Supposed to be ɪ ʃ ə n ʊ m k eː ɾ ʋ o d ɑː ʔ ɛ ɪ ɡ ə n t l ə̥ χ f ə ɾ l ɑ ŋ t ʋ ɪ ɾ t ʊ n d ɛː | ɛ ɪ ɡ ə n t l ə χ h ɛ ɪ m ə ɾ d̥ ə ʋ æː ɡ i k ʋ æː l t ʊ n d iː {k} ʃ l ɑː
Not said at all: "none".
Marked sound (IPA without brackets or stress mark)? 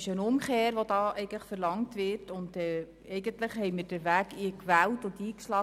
k